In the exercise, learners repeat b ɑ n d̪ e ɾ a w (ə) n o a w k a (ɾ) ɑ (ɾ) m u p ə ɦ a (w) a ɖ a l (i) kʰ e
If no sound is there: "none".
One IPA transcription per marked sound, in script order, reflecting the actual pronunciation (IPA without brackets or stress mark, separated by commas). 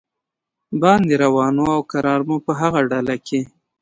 ɑ, ɾ, ɾ, ɣ, a